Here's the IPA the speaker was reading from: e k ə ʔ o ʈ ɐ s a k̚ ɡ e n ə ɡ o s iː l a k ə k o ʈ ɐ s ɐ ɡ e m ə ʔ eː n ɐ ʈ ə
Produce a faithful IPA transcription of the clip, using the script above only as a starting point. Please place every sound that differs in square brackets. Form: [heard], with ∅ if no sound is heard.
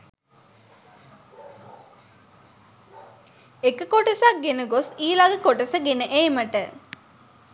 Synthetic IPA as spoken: e k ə [k] o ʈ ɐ s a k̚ ɡ e n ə ɡ o s iː l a [ɡ] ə k o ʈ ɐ s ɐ ɡ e [n] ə ʔ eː [m] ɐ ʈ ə